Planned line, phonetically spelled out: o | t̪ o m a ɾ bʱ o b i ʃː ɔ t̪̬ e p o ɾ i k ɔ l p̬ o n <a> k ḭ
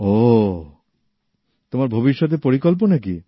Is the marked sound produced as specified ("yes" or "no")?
yes